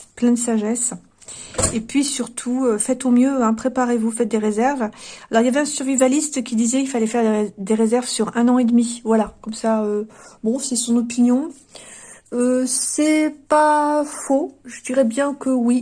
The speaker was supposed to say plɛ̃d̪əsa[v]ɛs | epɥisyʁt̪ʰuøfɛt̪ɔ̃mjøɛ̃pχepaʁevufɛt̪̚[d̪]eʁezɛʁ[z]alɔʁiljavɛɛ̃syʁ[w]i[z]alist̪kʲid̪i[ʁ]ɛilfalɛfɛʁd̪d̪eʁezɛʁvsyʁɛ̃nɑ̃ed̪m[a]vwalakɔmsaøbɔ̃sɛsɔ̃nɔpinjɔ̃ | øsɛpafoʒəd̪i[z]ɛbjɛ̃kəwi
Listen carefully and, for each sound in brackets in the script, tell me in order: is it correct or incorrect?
incorrect: ʒ, correct, incorrect: v, incorrect: v, incorrect: v, incorrect: z, incorrect: i, incorrect: ʁ

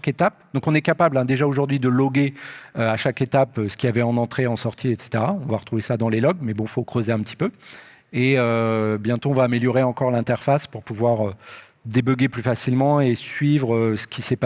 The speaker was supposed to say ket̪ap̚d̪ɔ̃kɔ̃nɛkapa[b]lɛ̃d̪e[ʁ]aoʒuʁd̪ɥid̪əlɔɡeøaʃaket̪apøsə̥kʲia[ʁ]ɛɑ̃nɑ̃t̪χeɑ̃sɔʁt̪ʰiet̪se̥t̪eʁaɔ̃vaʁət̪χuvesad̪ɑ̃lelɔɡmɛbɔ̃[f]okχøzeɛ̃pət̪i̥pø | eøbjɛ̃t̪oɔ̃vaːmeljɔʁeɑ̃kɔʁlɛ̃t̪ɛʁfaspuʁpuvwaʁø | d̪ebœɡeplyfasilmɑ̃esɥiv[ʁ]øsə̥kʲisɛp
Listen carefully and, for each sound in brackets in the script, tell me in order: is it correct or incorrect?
correct, incorrect: ʒ, incorrect: v, correct, correct

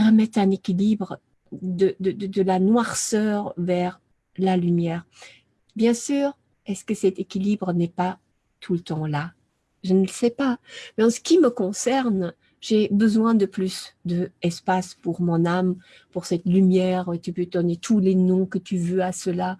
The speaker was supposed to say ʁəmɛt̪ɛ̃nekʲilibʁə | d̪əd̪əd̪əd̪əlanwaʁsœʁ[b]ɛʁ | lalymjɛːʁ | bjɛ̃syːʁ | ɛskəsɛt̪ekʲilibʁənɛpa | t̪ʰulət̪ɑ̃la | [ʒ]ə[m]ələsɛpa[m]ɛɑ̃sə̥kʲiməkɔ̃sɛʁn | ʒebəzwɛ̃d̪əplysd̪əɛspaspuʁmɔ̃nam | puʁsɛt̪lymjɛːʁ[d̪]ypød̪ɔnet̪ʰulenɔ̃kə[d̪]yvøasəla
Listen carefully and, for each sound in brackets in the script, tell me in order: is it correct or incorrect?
incorrect: v, correct, incorrect: n, correct, incorrect: t̪, incorrect: t̪

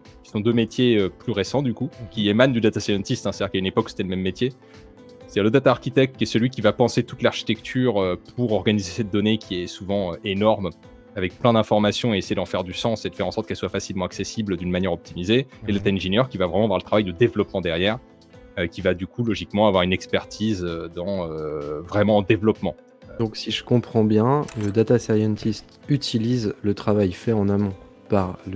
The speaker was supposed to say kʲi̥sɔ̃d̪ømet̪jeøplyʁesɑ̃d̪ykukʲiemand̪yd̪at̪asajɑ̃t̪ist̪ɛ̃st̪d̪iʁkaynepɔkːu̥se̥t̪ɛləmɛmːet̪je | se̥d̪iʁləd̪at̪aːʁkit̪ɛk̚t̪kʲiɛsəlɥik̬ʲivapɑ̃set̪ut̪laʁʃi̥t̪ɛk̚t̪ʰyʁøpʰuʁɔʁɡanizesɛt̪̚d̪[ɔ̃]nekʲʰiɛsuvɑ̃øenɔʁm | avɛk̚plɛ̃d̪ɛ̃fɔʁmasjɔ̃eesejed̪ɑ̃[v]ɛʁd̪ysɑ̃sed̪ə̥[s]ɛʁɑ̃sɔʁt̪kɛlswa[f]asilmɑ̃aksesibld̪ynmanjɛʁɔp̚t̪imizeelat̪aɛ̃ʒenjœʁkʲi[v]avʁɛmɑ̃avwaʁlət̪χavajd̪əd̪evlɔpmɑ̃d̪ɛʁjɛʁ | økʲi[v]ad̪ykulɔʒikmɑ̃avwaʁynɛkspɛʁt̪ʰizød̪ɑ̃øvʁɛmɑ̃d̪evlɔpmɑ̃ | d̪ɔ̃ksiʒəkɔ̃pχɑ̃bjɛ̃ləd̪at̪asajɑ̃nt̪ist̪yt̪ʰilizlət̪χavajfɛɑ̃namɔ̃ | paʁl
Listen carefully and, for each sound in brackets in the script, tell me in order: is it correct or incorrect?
incorrect: ɔ, incorrect: f, incorrect: f, correct, correct, correct

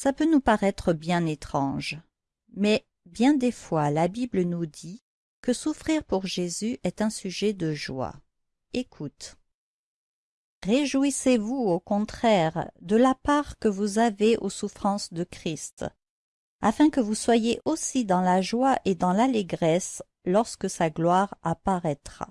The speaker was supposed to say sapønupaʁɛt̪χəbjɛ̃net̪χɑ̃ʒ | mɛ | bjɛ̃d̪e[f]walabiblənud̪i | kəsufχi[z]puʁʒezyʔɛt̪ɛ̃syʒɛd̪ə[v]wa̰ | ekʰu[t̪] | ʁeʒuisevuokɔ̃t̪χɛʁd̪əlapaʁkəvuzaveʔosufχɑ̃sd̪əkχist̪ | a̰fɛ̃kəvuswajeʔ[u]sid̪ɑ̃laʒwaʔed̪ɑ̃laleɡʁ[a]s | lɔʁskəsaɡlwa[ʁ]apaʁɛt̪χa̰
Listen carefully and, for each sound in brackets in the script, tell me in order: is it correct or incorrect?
correct, incorrect: ʁ, incorrect: ʒ, correct, incorrect: o, incorrect: ɛ, correct

